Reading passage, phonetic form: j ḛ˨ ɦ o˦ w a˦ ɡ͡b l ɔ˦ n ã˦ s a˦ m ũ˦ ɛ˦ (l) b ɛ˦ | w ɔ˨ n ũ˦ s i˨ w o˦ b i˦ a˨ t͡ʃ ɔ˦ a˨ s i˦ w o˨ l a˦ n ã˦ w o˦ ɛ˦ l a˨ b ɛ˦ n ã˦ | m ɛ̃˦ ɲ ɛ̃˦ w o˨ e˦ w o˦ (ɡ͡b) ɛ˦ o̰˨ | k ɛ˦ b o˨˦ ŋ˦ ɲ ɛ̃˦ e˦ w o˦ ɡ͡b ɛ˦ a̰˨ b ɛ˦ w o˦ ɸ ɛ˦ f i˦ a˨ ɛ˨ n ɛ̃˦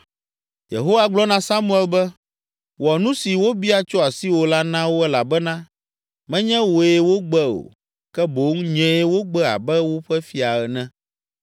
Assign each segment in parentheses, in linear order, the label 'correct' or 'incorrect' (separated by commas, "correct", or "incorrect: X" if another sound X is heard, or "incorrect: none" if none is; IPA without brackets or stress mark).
correct, correct